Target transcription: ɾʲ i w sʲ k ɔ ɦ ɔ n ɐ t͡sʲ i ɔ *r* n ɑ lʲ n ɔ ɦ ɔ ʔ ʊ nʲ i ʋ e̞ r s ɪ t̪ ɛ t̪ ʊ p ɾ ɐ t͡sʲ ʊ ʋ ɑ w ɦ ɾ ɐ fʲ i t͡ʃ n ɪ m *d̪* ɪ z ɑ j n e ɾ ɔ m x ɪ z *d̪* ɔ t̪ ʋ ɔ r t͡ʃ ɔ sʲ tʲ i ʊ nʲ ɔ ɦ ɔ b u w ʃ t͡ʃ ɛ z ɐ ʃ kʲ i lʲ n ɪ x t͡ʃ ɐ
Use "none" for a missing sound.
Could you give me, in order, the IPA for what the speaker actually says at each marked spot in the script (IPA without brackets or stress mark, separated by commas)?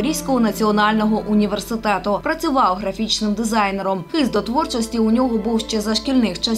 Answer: none, d̪, d̪